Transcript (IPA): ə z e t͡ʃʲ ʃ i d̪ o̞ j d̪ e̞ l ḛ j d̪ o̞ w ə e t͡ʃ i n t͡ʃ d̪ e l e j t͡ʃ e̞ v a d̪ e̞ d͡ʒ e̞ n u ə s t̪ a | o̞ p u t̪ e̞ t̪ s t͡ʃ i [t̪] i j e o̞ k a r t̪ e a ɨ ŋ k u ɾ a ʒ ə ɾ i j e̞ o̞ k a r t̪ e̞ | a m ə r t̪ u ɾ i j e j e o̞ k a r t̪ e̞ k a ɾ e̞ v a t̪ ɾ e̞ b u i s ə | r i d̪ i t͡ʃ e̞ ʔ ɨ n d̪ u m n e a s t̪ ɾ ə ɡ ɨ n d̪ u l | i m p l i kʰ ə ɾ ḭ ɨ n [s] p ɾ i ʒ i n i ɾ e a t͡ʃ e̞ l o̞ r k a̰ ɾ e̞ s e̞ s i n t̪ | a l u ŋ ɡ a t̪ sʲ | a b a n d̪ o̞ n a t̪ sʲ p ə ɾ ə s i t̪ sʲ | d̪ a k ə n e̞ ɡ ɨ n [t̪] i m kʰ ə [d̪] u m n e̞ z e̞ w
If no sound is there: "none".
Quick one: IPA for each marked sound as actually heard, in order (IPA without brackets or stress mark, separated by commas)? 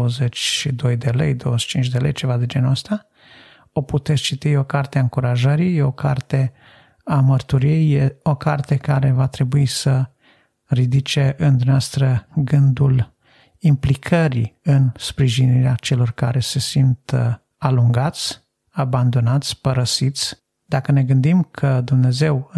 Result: t̪, s, d̪, d̪